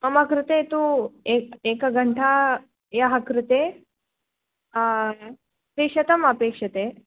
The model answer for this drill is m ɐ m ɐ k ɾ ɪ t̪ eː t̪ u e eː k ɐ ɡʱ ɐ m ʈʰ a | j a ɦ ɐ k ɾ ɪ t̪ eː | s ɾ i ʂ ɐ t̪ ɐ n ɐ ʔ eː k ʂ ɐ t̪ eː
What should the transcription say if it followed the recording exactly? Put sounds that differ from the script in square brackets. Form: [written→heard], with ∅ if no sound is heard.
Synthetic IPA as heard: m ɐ m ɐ k ɾ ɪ t̪ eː t̪ u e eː k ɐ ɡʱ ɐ [m→ɳ] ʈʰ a | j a ɦ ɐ k ɾ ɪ t̪ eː | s ɾ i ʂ ɐ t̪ ɐ [n→m] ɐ [ʔ→p] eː k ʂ ɐ t̪ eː